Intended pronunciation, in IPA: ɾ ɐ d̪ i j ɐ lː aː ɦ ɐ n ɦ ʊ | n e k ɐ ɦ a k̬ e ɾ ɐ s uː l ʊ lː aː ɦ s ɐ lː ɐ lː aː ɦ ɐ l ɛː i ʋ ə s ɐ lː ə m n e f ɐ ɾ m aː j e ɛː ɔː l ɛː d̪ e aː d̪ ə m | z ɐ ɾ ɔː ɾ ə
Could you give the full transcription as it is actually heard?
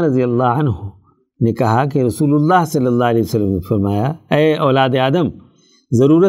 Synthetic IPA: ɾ ɐ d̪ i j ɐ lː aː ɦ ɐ n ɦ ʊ | n e k ɐ ɦ a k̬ e ɾ ɐ s uː l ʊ lː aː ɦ s ɐ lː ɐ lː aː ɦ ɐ l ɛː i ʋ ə s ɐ lː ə m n e f ɐ ɾ m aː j a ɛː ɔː l aː d̪ e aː d̪ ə m | z ɐ ɾ uː ɾ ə